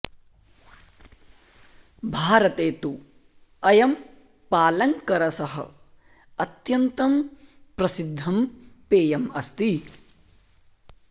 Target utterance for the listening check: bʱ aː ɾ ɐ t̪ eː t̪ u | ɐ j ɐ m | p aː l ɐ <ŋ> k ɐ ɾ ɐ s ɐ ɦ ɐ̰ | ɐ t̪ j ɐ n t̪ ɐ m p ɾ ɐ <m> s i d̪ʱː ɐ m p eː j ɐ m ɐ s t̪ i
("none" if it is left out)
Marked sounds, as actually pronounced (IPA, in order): ŋ, none

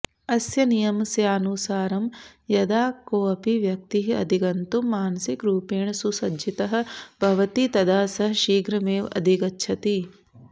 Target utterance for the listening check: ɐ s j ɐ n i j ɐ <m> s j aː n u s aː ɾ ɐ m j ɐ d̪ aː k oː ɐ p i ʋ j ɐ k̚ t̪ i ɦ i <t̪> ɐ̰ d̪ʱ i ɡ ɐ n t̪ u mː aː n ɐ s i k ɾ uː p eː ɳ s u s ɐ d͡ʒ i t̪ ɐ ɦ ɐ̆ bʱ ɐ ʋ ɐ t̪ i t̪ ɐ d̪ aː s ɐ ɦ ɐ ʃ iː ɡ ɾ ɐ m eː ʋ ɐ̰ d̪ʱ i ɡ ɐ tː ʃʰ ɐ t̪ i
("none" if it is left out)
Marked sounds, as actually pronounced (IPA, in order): m, none

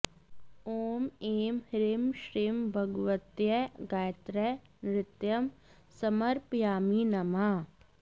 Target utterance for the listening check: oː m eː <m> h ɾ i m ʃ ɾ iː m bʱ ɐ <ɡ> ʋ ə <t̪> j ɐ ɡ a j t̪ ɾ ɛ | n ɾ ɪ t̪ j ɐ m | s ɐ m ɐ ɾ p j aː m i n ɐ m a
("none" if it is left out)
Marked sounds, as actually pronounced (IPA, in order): m, ɡ, t̪

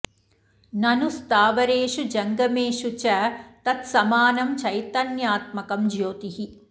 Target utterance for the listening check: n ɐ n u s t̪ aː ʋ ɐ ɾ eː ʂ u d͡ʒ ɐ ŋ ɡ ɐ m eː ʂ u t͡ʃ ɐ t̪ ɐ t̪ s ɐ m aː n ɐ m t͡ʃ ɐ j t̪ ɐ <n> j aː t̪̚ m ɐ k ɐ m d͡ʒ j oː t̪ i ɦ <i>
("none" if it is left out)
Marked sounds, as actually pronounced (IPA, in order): n, i

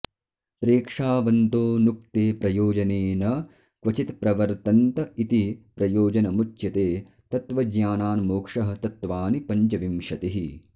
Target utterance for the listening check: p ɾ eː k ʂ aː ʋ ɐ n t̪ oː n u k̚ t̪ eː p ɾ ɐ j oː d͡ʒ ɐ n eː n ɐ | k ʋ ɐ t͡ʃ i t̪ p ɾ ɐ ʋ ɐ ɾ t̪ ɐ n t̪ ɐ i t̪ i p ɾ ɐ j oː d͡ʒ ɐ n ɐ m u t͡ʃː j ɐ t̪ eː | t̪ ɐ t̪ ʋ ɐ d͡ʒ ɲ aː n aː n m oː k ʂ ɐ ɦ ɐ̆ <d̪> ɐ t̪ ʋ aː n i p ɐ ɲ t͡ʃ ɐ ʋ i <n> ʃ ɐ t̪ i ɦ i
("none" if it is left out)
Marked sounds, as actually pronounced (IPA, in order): t̪, m

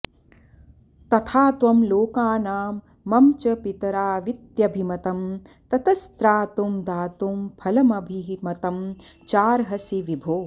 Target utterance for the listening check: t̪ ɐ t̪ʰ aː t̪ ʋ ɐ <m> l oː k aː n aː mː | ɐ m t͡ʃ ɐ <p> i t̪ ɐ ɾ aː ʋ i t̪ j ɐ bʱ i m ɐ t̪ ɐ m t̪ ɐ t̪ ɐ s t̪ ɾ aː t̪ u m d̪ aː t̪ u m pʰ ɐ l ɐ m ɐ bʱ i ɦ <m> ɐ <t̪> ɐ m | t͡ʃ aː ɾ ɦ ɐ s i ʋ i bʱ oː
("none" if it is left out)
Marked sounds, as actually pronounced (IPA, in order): m, p, m, t̪

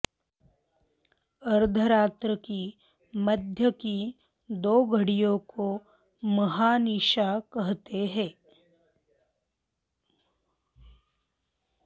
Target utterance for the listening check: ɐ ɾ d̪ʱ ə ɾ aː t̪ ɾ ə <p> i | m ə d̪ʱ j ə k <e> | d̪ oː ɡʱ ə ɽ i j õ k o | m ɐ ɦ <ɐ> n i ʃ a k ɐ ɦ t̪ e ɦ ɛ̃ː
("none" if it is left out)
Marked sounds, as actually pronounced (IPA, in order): k, i, a

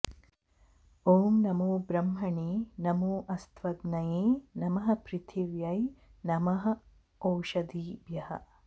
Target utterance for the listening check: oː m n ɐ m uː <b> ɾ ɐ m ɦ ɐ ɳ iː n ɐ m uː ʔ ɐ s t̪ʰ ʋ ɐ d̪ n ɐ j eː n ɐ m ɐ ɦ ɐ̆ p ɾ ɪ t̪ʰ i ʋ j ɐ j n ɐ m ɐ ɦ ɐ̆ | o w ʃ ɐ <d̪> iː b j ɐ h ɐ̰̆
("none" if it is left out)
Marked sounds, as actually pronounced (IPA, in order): b, d̪

